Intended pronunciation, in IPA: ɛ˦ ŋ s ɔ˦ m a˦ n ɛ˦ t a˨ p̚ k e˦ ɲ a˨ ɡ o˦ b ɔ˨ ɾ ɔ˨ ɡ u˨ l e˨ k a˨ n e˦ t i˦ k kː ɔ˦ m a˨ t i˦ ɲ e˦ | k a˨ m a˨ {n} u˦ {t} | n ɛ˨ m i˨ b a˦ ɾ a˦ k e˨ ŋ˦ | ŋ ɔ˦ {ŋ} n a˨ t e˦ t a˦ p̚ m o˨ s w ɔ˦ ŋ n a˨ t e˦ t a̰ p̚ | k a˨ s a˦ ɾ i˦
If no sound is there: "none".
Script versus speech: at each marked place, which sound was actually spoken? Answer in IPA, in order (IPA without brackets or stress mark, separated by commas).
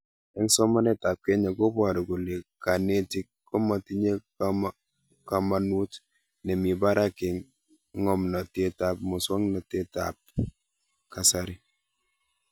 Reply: n, t, m